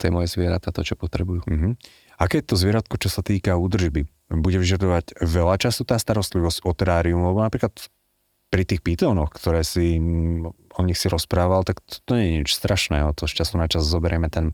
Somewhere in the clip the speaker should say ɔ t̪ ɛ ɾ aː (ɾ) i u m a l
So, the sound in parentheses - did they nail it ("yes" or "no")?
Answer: yes